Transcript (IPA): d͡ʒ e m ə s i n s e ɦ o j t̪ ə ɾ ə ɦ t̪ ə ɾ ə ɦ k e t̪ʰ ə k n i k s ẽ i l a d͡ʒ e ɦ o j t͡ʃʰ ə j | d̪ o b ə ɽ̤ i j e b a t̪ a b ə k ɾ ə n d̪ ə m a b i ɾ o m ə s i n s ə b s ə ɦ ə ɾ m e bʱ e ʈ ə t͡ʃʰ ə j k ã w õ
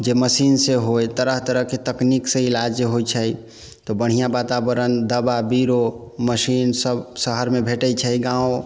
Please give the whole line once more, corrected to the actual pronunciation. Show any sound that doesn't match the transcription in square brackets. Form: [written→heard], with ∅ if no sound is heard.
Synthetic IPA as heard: d͡ʒ e m ə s i n s e ɦ o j t̪ ə ɾ ə ɦ t̪ ə ɾ ə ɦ k e [t̪ʰ→t̪] ə k n i k s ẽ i l a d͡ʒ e ɦ o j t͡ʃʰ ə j | [d̪→t̪] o b ə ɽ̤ i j [e→a] b a t̪ a b ə [k→∅] ɾ ə n d̪ ə [m→b] a b i ɾ o m ə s i n s ə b s ə ɦ ə ɾ m e bʱ e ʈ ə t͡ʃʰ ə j [k→ɡ] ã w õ